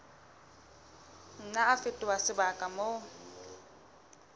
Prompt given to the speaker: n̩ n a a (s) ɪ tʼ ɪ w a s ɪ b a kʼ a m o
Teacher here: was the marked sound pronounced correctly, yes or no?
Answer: no